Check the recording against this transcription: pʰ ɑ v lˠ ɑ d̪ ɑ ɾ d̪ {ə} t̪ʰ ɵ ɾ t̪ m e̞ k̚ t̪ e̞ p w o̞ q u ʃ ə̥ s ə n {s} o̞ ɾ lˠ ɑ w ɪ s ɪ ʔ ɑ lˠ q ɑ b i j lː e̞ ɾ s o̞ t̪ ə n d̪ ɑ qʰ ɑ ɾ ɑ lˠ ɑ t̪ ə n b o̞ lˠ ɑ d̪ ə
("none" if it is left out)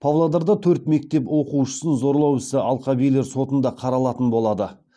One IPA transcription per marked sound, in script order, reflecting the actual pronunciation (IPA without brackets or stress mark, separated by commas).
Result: ɑ, z